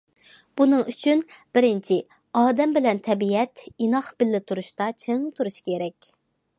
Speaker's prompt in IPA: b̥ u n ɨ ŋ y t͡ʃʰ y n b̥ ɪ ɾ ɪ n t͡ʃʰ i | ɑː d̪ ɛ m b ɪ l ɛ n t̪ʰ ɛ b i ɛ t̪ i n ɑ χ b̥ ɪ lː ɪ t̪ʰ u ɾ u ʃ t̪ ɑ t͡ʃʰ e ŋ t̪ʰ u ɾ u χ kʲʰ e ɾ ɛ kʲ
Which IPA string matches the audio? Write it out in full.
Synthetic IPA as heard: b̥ u n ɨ ŋ y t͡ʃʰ y n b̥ ɪ ɾ ɪ n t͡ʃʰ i | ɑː d̪ ɛ m b ɪ l ɛ n t̪ʰ ɛ b i ɛ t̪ i n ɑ χ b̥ ɪ lː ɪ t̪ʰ u ɾ u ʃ t̪ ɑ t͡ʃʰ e ŋ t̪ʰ u ɾ u ʃ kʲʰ e ɾ ɛ kʲ